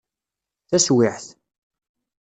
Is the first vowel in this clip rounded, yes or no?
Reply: no